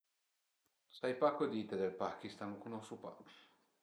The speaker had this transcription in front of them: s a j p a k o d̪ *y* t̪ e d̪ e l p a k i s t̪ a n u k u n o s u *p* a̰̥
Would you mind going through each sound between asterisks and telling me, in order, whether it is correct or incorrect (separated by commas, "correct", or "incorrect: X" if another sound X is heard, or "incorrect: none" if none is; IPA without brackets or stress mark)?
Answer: incorrect: i, correct